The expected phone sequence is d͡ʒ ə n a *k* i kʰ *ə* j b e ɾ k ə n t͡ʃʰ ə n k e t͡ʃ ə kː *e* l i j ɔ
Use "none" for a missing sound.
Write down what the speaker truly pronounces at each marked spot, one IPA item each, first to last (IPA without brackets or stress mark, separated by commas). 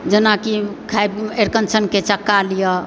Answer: k, a, a